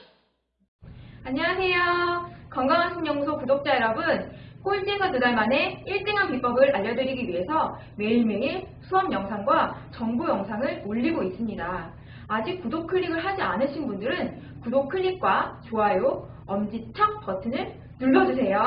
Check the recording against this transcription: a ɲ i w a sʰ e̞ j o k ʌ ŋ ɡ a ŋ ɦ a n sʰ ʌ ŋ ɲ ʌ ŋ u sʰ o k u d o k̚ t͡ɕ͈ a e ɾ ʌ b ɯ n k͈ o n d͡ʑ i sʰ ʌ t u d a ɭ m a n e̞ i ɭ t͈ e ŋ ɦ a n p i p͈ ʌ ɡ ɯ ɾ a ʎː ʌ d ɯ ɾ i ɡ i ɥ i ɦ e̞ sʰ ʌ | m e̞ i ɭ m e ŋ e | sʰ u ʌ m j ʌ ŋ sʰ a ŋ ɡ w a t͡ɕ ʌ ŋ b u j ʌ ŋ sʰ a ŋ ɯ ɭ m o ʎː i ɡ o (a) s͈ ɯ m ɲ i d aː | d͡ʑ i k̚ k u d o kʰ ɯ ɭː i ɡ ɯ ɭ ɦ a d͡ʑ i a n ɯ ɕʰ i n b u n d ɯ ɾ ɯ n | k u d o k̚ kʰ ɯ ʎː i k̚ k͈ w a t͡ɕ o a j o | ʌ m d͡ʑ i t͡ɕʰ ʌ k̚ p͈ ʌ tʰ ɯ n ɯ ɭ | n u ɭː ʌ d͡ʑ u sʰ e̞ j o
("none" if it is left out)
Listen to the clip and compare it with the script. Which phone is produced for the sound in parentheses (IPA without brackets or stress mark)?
i